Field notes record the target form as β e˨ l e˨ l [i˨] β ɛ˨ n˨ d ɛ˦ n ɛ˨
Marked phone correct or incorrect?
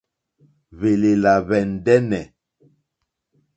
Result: incorrect